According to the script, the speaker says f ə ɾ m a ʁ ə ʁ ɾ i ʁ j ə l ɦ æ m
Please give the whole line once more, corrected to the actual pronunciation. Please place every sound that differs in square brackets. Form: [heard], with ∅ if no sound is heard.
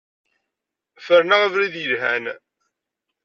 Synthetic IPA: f ə ɾ [n] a ʁ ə [v] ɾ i [ð] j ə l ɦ æ [n]